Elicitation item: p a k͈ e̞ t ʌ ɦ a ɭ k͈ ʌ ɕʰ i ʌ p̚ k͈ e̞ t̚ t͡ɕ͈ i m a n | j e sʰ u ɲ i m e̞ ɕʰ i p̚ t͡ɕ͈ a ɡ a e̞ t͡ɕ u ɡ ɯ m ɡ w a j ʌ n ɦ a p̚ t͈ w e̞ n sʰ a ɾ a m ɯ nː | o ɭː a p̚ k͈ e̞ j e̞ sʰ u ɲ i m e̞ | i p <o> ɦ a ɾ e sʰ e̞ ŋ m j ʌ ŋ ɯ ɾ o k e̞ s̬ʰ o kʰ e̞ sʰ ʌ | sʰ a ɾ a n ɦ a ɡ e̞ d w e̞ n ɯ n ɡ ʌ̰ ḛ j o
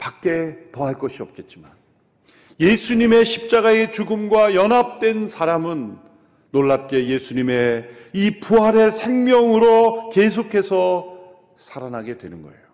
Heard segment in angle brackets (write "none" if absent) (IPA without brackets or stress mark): u